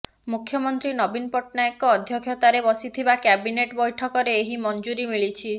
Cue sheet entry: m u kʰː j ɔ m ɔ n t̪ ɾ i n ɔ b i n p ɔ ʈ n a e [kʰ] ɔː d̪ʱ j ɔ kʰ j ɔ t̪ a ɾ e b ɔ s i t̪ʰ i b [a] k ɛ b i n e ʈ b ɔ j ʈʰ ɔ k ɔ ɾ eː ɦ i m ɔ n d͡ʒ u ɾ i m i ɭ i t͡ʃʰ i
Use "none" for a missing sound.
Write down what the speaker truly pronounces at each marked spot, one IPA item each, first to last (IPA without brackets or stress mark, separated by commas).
k, a